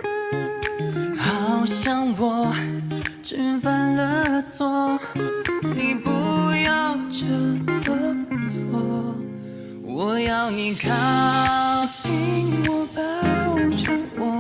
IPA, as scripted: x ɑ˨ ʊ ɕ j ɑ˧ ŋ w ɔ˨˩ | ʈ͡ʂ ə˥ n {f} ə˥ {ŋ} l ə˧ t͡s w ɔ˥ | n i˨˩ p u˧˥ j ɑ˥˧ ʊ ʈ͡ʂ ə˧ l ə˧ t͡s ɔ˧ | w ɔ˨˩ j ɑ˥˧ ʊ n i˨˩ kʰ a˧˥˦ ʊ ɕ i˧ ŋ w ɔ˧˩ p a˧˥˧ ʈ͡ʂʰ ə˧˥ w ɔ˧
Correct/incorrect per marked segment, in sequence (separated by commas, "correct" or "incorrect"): correct, incorrect